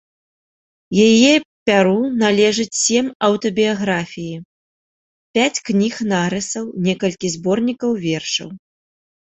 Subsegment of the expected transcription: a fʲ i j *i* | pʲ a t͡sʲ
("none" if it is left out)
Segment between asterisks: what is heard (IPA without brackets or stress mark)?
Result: i